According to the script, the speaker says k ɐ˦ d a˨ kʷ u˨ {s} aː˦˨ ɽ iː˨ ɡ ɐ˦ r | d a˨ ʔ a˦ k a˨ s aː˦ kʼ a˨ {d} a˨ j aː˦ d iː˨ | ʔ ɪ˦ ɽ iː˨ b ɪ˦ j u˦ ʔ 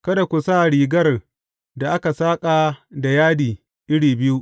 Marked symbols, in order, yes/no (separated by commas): yes, yes